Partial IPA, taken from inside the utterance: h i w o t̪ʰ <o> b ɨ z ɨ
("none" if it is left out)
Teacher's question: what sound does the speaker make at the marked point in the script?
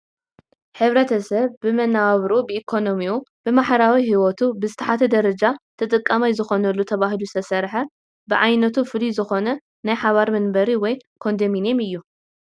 u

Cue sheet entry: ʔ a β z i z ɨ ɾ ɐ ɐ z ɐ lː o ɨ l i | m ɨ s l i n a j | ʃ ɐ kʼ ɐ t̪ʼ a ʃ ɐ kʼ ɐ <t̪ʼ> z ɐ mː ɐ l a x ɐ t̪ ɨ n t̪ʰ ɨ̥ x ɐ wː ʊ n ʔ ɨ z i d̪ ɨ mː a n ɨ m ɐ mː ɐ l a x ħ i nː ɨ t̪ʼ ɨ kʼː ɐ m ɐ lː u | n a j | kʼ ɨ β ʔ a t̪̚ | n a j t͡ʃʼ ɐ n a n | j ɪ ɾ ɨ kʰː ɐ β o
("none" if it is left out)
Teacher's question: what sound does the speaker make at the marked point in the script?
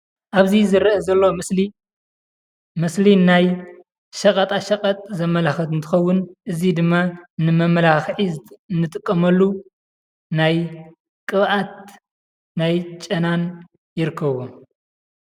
t̪ʼ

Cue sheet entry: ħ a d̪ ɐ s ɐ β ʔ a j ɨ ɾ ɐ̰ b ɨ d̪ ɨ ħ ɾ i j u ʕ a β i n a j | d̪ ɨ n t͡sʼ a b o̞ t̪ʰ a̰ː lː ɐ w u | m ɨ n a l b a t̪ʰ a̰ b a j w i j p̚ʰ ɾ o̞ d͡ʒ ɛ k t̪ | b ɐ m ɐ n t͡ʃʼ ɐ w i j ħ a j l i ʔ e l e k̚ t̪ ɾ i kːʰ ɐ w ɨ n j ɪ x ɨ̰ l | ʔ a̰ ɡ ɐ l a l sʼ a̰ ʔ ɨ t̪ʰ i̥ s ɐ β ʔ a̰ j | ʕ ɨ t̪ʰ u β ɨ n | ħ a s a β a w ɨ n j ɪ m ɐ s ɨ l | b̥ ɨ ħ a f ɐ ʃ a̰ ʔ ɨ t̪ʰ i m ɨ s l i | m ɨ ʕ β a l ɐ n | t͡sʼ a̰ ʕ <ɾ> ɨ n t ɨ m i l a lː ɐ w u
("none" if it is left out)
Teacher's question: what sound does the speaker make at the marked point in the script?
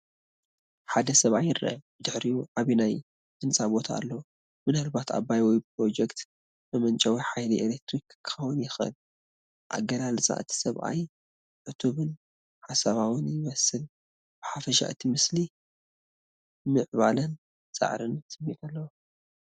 ɾ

